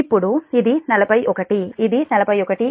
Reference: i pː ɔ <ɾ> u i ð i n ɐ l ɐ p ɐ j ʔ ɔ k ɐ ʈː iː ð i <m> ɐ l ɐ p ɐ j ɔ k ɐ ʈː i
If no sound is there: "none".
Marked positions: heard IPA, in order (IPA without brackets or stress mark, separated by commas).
ɽ, n